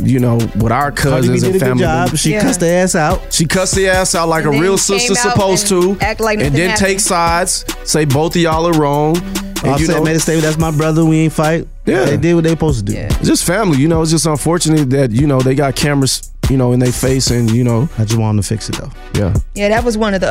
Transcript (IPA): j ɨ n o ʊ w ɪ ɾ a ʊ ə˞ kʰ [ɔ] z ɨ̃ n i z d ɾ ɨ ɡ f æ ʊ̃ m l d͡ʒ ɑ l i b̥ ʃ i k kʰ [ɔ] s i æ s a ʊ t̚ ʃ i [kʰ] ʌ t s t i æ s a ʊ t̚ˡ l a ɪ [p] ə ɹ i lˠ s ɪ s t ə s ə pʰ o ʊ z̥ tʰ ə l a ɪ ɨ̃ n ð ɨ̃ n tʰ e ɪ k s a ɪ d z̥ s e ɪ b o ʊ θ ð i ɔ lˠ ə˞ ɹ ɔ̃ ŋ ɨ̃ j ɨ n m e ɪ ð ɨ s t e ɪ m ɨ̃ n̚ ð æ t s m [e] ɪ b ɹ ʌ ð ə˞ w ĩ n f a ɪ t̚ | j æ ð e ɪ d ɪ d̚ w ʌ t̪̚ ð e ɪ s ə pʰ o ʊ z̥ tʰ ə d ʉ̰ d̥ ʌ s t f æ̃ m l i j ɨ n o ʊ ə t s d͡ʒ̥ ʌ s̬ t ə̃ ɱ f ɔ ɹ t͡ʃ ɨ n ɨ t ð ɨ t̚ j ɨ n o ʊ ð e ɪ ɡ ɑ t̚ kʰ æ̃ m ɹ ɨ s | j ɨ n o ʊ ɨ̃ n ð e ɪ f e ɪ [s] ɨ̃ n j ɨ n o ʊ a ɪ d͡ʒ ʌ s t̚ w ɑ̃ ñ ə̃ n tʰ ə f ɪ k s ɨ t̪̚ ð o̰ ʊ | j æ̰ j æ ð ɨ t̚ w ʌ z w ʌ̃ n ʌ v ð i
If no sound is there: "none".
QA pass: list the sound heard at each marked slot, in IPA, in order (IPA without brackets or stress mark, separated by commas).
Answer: ʌ, ʌ, kʰ, k, a, s